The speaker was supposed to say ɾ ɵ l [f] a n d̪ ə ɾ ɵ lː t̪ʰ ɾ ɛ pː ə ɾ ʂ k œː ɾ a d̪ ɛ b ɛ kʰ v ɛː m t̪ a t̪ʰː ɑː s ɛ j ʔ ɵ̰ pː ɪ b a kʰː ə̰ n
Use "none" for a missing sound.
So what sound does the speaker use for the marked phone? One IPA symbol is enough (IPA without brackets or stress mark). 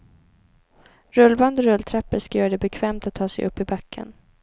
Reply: v